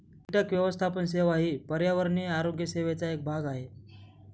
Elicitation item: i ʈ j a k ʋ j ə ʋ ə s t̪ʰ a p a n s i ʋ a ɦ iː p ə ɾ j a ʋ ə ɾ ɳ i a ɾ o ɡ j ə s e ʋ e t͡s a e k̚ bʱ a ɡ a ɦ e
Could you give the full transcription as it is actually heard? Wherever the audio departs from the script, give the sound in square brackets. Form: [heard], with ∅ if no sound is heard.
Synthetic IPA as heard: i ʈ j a k ʋ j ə ʋ ə s t̪ʰ a p [ə] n s [e] ʋ a ɦ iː p ə ɾ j a ʋ ə ɾ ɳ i a ɾ o ɡ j ə s e ʋ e t͡s a e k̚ bʱ a ɡ a ɦ e